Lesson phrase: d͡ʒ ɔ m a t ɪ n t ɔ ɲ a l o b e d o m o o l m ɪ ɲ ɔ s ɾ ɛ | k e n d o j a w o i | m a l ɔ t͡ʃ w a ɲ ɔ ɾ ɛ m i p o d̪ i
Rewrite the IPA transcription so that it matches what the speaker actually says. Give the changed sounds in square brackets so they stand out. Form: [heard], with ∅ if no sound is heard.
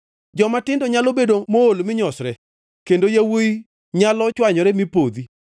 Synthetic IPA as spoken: d͡ʒ ɔ m a t ɪ n [d] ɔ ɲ a l o b e d o m o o l m ɪ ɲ ɔ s ɾ ɛ | k e n d o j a w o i | [ɲ] a l ɔ t͡ʃ w a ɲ ɔ ɾ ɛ m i p o d̪ i